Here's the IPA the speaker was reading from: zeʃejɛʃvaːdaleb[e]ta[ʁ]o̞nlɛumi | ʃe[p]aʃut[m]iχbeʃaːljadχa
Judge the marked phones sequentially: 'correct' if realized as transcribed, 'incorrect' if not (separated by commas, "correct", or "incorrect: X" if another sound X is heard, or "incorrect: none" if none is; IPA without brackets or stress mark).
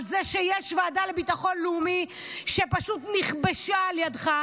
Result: incorrect: i, incorrect: χ, correct, incorrect: n